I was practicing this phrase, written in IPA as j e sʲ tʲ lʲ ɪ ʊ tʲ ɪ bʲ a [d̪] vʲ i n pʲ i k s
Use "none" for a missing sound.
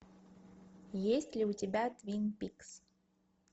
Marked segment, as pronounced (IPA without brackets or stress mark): t̪